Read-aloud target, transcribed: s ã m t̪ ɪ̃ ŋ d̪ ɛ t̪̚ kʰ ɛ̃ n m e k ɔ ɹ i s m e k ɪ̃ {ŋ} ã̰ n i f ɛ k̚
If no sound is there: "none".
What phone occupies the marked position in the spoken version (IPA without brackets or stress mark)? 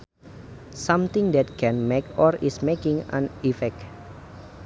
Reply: ŋ